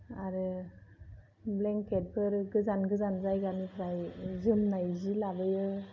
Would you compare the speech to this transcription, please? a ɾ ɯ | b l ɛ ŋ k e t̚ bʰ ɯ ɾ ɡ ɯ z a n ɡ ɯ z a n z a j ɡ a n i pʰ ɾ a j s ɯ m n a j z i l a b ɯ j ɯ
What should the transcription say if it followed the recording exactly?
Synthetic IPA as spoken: a ɾ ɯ | b l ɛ ŋ k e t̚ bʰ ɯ ɾ ɡ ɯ z a n ɡ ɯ z a n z a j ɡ a n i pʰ ɾ a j z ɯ m n a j z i l a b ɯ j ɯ